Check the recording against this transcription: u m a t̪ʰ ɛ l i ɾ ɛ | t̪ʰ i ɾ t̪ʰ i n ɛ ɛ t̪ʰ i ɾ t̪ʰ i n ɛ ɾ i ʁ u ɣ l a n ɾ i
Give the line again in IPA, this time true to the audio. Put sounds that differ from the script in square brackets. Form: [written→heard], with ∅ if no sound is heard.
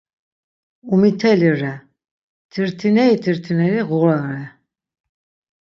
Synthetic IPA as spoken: u m [a→i] t̪ʰ ɛ l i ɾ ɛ | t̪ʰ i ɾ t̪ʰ i n ɛ [ɛ→i] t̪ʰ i ɾ t̪ʰ i n ɛ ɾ i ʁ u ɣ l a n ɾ [i→ɛ]

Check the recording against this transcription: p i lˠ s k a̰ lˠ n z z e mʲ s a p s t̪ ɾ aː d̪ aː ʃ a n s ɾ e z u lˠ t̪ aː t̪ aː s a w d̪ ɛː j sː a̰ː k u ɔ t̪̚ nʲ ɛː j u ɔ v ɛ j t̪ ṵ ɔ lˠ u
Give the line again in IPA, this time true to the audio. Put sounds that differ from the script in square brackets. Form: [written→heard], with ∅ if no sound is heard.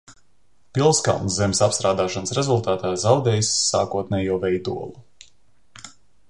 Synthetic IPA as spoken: p i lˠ s k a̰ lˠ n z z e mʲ s a p s t̪ ɾ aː d̪ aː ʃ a n s ɾ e z u lˠ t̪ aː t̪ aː [s→z] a w d̪ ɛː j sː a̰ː k u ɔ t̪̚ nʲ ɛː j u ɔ v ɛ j [t̪→d̪] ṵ ɔ lˠ u

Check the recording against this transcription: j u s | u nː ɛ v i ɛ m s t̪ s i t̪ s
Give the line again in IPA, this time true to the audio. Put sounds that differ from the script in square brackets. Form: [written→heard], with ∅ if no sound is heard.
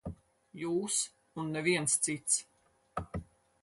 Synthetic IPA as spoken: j [u→uː] s | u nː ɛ v i ɛ [m→n] s t̪ s i t̪ s

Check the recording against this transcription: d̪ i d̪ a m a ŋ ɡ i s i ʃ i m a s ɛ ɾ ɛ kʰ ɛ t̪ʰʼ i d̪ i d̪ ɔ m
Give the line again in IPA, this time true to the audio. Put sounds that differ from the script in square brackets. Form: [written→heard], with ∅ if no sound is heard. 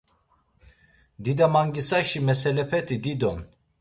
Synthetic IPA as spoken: d̪ i d̪ a m a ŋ ɡ i s [i→a] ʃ i m [a→ɛ] s ɛ [ɾ→l] ɛ [kʰ→pʰ] ɛ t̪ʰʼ i d̪ i d̪ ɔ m

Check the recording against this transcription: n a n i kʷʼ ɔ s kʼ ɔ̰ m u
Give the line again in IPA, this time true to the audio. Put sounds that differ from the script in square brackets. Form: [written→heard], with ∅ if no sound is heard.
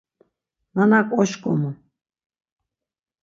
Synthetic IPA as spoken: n a n [i→a] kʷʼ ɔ [s→ʃ] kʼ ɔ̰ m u

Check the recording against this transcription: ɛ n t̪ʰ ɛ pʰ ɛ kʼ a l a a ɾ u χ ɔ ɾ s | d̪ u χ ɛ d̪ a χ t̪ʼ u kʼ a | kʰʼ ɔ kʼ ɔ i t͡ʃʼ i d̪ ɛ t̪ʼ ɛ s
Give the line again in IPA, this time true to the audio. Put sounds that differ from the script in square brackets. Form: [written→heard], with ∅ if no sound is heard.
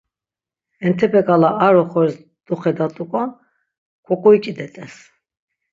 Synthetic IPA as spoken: ɛ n t̪ʰ ɛ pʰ ɛ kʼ a l a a ɾ [u→ɔ] χ ɔ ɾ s | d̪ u χ ɛ d̪ a [χ→∅] t̪ʼ u kʼ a | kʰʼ ɔ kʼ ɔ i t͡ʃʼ i d̪ ɛ t̪ʼ ɛ s

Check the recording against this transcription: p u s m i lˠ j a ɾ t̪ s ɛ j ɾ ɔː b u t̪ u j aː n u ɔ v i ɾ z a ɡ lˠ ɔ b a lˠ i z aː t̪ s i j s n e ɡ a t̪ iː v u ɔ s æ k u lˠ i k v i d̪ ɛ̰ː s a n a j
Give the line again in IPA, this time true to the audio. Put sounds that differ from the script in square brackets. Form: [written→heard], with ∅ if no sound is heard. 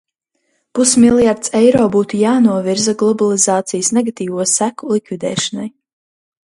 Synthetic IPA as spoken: p u s m i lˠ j a ɾ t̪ s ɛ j ɾ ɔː b [u→uː] t̪ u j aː n u ɔ v i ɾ z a ɡ lˠ ɔ b a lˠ i z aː t̪ s i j s n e ɡ a t̪ iː v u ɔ s æ k u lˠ i k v i d̪ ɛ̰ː [s→ʃ] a n a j

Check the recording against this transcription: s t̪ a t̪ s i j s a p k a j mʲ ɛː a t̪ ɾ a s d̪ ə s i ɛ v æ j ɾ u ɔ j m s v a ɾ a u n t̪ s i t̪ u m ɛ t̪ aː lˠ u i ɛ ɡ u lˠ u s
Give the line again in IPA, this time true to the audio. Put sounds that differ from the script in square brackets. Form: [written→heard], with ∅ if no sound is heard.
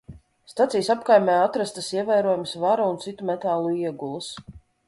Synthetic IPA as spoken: s t̪ a t̪ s i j s a p k a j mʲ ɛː a t̪ ɾ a s [d̪→t̪] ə s i ɛ v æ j ɾ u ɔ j m s v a ɾ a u n t̪ s i t̪ u m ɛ t̪ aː lˠ u i ɛ ɡ u lˠ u s

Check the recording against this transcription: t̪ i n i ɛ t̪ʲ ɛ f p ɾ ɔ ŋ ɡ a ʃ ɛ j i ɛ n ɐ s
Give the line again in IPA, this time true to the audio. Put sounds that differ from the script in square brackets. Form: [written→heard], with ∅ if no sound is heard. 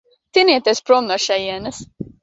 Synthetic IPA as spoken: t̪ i n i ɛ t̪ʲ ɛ [f→s] p ɾ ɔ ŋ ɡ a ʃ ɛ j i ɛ n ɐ s

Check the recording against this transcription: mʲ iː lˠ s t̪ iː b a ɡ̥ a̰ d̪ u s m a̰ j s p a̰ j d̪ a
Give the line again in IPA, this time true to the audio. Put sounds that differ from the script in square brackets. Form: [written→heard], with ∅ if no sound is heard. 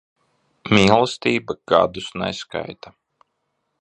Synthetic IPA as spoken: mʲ iː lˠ s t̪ iː b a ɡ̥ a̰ d̪ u s [m→n] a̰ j s [p→k] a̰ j [d̪→t̪] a

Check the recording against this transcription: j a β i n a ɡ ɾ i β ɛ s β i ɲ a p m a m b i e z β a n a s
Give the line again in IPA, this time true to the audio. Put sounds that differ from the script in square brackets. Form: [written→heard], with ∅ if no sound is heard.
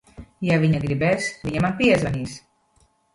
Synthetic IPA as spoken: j a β i [n→ɲ] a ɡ ɾ i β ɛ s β i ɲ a [p→∅] m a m [b→p] i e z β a n [a→i] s

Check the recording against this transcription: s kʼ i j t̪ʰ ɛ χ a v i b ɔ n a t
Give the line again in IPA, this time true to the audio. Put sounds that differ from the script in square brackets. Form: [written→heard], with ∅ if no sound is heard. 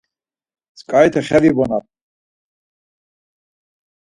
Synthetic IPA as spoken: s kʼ [i→a] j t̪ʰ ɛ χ [a→ɛ] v i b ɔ n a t

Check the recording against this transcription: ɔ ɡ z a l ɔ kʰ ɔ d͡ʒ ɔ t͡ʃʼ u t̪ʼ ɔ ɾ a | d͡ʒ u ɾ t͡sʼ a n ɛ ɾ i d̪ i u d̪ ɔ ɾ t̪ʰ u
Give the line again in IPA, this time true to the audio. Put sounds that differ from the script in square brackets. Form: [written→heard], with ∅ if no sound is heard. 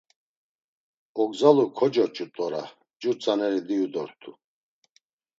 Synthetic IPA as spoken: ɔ ɡ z a l [ɔ→u] kʰ ɔ d͡ʒ ɔ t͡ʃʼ u t̪ʼ ɔ ɾ a | d͡ʒ u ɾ t͡sʼ a n ɛ ɾ i d̪ i u d̪ ɔ ɾ t̪ʰ u

